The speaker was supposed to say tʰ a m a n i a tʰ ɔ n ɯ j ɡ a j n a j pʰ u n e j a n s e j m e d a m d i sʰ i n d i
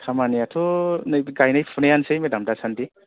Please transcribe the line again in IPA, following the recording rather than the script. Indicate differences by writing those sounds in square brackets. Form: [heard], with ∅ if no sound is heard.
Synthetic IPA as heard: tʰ a m a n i a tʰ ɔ n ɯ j ɡ a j n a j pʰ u n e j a n s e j m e d a m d [a] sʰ [a] n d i